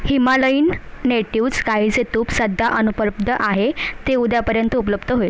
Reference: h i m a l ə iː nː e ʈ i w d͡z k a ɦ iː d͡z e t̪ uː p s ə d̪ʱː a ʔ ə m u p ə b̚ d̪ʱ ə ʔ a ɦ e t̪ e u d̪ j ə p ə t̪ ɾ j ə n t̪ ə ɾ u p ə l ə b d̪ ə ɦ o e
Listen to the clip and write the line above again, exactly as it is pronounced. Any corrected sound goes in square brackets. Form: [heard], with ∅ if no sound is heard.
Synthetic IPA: h i m a l ə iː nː e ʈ i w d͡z k a ɦ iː d͡z e t̪ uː p s ə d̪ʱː a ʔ ə [n] u p ə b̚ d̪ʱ ə ʔ a ɦ e t̪ e u d̪ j [a] p ə [∅] ɾ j ə n t̪ ə [∅] u p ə l ə b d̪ ə ɦ o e

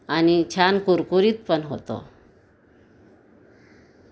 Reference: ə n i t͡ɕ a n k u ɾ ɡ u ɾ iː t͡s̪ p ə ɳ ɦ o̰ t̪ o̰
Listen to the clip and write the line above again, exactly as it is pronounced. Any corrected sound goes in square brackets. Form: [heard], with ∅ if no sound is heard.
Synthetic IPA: [a] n i [t͡ɕʰ] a n k u ɾ [k] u ɾ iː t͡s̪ p ə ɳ ɦ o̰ t̪ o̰

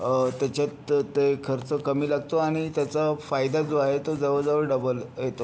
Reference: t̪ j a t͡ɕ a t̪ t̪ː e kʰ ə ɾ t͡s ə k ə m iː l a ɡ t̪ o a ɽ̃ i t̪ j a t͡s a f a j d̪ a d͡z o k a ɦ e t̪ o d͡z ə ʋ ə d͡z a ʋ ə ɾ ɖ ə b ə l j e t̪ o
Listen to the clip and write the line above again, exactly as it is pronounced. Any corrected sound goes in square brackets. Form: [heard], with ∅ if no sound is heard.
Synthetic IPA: t̪ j a t͡ɕ a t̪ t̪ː e kʰ ə ɾ t͡s ə k ə m iː l a ɡ t̪ o a ɽ̃ i t̪ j a t͡s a f a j d̪ a d͡z o [∅] a ɦ e t̪ o d͡z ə ʋ ə d͡z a ʋ ə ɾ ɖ ə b ə l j e t̪ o

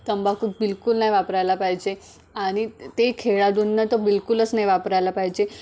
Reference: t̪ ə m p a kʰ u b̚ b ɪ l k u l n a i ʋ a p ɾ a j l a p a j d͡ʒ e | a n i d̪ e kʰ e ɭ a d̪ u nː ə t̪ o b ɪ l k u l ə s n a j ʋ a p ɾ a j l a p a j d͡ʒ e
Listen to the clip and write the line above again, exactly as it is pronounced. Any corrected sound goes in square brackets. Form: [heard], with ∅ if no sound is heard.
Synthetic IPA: t̪ ə m [b] a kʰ u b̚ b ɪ l k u l n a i ʋ a p ɾ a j l a p a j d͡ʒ e | a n i [t̪] e kʰ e ɭ a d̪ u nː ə t̪ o b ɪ l k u l ə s n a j ʋ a p ɾ a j l a p a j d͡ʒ e

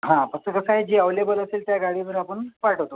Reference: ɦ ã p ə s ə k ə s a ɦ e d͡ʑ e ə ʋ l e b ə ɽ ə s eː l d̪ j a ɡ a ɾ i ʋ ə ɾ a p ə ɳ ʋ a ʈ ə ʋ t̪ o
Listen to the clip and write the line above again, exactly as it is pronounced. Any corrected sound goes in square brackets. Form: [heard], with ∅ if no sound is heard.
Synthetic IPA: ɦ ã p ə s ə k ə s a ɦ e d͡ʑ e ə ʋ l e b ə [l] ə s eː l [t̪] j a ɡ a [ɽ] i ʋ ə ɾ a p ə ɳ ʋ a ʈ ə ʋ t̪ o

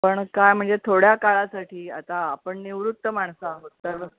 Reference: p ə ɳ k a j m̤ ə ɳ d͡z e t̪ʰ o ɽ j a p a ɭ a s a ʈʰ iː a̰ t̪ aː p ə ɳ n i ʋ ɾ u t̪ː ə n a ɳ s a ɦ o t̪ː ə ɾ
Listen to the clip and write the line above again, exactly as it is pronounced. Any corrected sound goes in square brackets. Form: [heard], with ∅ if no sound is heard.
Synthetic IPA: p ə ɳ k a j m̤ ə ɳ d͡z e t̪ʰ o ɽ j a [k] a ɭ a s a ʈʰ iː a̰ t̪ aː p ə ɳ n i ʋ ɾ u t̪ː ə [m] a ɳ s a ɦ o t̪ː ə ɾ

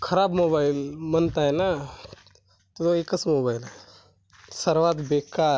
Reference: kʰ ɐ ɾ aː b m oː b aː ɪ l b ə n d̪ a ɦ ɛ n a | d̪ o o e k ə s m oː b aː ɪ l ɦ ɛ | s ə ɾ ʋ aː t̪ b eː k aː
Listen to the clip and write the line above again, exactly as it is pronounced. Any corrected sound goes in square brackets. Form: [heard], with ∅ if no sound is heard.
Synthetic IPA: kʰ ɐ ɾ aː b m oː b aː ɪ l [m] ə n [t̪] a ɦ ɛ n a | [t̪] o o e k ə s m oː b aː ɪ l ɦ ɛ | s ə ɾ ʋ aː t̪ b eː k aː

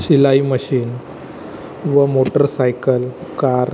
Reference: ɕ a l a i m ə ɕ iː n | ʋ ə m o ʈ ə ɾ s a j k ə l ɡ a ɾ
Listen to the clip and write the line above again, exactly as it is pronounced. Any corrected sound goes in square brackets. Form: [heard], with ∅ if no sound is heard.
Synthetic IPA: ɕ [i] l a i m ə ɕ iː n | ʋ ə m o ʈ ə ɾ s a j k ə l [k] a ɾ

